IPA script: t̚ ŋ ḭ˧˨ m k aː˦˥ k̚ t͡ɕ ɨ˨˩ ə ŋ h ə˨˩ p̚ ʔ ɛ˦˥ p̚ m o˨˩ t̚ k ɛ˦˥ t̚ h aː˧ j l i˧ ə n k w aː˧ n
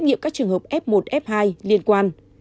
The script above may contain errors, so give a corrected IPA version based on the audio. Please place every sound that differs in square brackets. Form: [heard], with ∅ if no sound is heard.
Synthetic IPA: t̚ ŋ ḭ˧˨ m k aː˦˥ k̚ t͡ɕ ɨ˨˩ ə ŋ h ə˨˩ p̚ ʔ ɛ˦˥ p̚ m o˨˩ t̚ [ʔ] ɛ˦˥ [p̚] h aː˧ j l i˧ ə n k w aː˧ n